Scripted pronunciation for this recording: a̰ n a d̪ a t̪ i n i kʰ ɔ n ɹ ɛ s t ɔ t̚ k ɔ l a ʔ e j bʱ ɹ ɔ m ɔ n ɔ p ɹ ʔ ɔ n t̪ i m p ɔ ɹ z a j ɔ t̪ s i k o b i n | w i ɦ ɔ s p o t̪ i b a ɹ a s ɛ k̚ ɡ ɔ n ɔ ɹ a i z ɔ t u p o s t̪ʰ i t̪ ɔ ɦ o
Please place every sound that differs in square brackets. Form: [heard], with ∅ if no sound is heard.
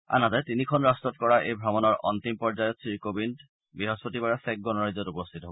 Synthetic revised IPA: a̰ n a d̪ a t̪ i n i kʰ ɔ n ɹ [a] s t ɔ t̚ k ɔ [ɹ] a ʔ e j bʱ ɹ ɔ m ɔ n ɔ [∅] ɹ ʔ ɔ n t̪ i m p ɔ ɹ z a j ɔ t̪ s i k o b i n | [b] i ɦ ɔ s p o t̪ i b a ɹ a s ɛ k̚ ɡ ɔ n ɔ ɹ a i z ɔ t u p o s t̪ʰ i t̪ ɔ ɦ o